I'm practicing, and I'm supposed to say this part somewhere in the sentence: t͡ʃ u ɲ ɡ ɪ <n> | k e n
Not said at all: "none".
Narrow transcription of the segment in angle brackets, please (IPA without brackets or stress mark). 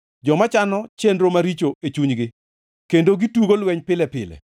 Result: none